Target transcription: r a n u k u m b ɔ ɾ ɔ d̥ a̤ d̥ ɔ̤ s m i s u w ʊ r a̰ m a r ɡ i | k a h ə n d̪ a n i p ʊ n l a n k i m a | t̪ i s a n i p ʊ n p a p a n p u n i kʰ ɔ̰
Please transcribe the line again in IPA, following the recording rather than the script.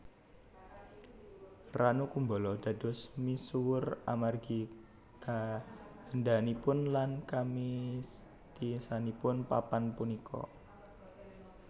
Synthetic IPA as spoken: r a n u k u m b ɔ l ɔ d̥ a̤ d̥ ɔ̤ s m i s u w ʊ r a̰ m a r ɡ i | k a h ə n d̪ a n i p ʊ n l a n k a m i | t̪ i s a n i p ʊ n p a p a n p u n i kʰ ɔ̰